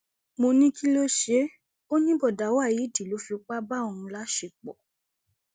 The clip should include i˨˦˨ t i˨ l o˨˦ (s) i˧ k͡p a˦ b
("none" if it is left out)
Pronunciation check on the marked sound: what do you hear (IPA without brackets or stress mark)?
f